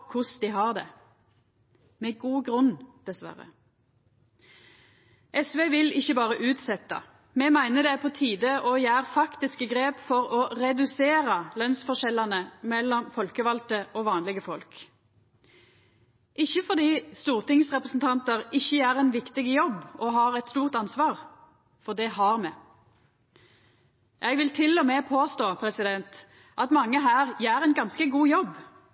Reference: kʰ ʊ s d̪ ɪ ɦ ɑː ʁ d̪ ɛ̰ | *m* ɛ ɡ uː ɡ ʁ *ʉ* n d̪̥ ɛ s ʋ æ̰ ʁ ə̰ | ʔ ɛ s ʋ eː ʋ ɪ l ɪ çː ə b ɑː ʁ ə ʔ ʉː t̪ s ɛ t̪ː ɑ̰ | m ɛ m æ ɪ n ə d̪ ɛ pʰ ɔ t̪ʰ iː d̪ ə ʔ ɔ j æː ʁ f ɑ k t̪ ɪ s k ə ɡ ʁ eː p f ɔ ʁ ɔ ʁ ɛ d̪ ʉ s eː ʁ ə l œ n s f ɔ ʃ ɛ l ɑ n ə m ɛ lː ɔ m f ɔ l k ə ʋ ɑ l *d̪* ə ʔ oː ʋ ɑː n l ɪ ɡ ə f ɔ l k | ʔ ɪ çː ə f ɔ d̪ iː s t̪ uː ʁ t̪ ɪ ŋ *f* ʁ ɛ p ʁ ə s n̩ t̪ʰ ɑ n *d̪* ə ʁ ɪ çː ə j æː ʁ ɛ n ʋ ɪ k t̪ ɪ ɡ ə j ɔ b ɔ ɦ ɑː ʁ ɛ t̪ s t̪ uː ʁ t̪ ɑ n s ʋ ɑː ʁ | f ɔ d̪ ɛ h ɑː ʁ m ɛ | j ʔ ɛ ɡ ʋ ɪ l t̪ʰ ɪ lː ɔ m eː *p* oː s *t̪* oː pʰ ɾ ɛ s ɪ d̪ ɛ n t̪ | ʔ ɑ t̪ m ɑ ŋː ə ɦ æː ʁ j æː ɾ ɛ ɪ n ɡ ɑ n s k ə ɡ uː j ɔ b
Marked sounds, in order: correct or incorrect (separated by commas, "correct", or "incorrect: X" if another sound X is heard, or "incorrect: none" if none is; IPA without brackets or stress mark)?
correct, correct, incorrect: t̪, incorrect: s, incorrect: t̪, incorrect: pʰ, correct